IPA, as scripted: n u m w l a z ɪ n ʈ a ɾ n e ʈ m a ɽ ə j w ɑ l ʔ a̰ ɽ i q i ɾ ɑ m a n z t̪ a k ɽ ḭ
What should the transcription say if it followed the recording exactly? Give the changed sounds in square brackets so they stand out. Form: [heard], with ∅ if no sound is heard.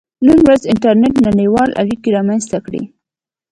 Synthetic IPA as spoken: n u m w [ɾ] a z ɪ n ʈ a ɾ n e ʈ [n] a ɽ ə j w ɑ l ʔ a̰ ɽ i [k] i ɾ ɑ m a n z t̪ a k ɽ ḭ